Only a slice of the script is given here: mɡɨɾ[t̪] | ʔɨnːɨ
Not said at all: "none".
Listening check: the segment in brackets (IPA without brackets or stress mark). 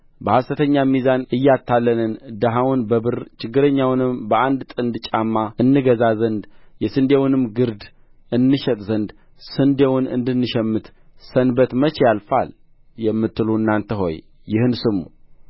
d̪